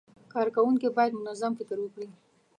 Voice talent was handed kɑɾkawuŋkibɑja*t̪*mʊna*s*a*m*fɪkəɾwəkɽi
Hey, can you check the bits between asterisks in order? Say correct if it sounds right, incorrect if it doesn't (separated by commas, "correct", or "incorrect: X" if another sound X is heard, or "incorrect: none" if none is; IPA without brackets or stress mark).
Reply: incorrect: d̪, incorrect: z, correct